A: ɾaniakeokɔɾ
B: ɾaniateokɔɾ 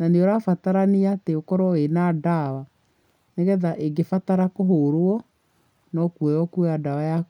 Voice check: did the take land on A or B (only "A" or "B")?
B